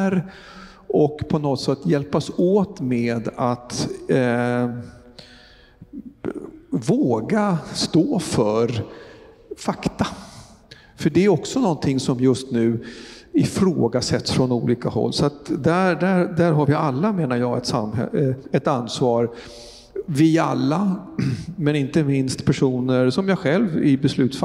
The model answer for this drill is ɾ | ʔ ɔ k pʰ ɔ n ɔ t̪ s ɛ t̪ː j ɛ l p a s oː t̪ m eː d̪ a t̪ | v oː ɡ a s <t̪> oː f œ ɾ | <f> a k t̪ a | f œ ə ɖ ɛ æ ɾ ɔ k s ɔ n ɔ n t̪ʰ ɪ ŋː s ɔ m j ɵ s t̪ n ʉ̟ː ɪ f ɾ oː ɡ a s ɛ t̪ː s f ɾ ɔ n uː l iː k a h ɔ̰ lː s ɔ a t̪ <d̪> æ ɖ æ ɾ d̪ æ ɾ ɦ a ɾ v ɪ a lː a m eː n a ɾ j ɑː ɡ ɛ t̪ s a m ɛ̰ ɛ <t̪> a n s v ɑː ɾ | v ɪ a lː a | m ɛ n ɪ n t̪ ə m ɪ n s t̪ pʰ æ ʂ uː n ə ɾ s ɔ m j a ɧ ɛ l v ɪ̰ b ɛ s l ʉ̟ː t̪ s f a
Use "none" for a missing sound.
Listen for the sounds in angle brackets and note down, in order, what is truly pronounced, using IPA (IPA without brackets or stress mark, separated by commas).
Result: t̪, f, d̪, t̪